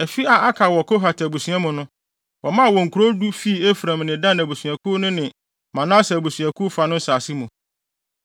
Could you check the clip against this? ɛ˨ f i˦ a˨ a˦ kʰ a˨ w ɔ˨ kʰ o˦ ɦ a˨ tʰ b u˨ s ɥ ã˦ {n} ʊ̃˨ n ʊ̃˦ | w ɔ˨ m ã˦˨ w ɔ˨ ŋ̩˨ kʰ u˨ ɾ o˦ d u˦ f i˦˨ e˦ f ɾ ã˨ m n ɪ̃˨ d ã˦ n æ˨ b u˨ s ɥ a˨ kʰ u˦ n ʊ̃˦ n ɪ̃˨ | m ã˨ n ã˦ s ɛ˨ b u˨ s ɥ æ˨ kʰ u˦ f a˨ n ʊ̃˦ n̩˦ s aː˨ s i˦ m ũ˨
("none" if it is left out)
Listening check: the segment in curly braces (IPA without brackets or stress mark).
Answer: m